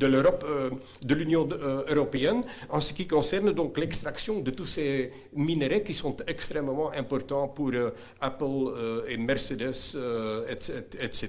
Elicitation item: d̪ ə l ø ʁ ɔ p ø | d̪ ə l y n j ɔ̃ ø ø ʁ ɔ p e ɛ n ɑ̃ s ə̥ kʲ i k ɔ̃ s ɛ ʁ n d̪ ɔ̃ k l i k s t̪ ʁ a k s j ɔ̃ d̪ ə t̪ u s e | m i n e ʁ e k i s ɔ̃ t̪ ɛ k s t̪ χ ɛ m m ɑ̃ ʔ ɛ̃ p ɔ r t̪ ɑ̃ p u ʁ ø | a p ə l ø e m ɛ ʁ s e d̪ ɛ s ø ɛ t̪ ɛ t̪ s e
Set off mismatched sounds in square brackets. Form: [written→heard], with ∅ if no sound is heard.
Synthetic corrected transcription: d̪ ə l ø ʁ ɔ p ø | d̪ ə l y n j ɔ̃ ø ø ʁ ɔ p e ɛ n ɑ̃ s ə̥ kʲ i k ɔ̃ s ɛ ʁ n d̪ ɔ̃ k l [i→ɛ] k s t̪ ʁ a k s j ɔ̃ d̪ ə t̪ u s e | m i n e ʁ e k i s ɔ̃ t̪ ɛ k s t̪ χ ɛ m m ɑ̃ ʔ ɛ̃ p ɔ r t̪ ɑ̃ p u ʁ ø | a p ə l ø e m ɛ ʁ s e d̪ ɛ s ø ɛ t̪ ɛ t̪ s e